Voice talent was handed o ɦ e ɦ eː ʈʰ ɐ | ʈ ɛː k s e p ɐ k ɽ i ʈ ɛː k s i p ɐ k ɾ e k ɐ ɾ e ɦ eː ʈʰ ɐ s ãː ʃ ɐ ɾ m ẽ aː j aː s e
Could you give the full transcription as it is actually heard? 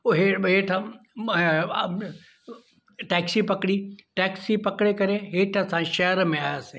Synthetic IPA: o ɦ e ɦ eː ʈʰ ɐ | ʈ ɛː k s i p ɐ k ɽ i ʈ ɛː k s i p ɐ k ɽ e k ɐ ɾ e ɦ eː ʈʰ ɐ s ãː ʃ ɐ ɾ m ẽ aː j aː s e